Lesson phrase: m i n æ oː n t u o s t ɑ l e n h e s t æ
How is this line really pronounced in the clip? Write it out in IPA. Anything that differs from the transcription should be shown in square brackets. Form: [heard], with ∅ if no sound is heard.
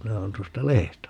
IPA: m i n æ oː n t u o s t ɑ l e [∅] h e s t æ